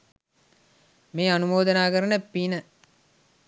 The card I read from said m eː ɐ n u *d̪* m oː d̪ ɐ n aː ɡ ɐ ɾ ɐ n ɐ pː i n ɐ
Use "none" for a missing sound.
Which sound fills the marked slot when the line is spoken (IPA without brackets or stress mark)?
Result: none